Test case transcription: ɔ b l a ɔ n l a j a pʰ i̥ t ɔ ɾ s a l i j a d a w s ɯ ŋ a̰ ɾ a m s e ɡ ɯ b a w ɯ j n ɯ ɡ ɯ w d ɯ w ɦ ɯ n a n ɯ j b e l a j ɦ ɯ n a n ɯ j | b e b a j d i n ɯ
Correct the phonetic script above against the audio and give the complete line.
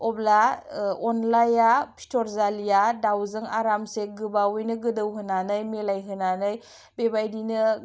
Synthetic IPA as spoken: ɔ b l a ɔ n l a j a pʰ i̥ t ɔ ɾ z a l i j a d a w z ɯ ŋ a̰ ɾ a m s e ɡ ɯ b a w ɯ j n ɯ ɡ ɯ d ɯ w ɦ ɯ n a n ɯ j m e l a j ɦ ɯ n a n ɯ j | b e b a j d i n ɯ

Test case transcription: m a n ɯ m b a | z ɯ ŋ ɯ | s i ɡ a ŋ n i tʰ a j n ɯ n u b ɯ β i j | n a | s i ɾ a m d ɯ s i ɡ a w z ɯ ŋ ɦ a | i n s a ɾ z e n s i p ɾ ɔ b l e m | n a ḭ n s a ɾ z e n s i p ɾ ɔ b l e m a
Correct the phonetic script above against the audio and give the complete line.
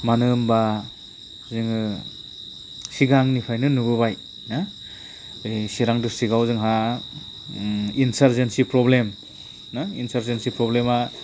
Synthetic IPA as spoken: m a n ɯ m b a | z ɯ ŋ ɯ | s i ɡ a ŋ n i pʰ a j n ɯ n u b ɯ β a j | n a | s i ɾ a ŋ d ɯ s i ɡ a w z ɯ ŋ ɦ a | i n s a ɾ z e n s i p ɾ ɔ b l e m | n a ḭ n s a ɾ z e n s i p ɾ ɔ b l e m a

